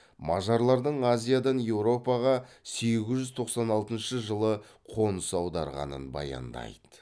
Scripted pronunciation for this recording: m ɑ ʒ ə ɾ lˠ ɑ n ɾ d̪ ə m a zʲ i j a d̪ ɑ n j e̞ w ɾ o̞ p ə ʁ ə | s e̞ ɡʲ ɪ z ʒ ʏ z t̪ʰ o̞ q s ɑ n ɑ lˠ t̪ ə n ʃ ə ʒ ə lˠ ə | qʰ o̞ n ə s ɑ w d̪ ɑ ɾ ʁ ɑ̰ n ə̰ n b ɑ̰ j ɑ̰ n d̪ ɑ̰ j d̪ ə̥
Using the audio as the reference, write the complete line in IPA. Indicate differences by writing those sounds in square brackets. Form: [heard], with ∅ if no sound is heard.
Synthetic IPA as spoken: m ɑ ʒ [ɑ] ɾ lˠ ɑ [∅] ɾ d̪ ə [ɴ] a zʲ i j a d̪ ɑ n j e̞ w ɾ o̞ p [ɑ] ʁ [ɑ] | s e̞ ɡʲ ɪ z ʒ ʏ z t̪ʰ o̞ q s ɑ n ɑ lˠ t̪ ə n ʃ ə ʒ ə lˠ ə | qʰ o̞ n ə s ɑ w d̪ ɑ ɾ ʁ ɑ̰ n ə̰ n b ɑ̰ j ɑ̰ n d̪ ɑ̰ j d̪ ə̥